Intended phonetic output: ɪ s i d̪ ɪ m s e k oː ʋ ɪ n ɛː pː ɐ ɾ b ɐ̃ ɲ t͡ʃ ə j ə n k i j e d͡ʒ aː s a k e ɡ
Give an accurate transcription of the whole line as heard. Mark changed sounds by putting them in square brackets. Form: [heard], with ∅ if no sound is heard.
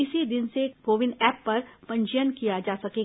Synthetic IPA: ɪ s i d̪ ɪ [n] s e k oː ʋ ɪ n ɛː pː ɐ ɾ [p] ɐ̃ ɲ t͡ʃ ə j ə n k i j [a] d͡ʒ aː s [ɐ] k e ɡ